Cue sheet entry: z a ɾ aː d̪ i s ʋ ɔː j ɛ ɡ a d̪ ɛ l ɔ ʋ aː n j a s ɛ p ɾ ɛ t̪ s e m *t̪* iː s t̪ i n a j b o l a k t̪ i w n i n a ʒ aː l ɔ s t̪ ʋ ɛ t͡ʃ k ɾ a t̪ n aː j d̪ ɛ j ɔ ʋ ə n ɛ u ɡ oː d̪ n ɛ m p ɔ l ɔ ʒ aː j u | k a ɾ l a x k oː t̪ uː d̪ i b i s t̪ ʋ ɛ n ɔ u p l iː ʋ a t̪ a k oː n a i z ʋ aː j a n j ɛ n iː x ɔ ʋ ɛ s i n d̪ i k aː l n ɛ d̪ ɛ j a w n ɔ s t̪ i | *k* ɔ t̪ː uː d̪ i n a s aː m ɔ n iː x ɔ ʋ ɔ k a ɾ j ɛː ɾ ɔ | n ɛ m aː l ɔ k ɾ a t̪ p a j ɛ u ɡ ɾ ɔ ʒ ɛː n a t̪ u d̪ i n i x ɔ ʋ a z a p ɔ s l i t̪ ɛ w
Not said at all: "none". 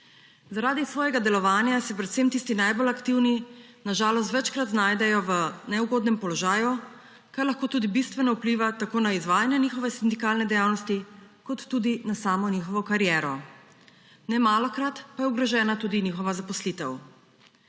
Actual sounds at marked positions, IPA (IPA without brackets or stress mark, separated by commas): t̪, k